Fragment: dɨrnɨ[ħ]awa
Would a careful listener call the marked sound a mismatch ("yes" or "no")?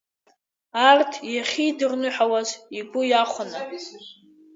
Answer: no